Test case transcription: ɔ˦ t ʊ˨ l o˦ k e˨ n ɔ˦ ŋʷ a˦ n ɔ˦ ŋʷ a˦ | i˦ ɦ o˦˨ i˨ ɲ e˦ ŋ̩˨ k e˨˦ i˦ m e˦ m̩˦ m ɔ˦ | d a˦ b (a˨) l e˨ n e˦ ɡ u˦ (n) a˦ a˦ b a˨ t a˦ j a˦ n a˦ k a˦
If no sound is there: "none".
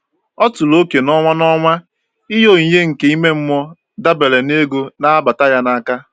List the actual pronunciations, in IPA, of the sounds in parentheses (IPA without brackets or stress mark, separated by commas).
e˨, n